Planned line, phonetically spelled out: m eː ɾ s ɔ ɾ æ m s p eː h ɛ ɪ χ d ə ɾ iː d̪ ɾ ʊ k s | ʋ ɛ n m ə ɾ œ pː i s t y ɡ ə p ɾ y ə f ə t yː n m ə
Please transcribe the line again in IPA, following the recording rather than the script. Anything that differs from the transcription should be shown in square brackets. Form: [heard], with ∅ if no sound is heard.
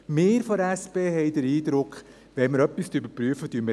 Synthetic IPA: m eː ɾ [f] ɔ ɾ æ [∅] s p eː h ɛ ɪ [∅] d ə ɾ iː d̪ ɾ ʊ k [χ] | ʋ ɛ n m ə ɾ œ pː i s t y [b] ə p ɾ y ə f ə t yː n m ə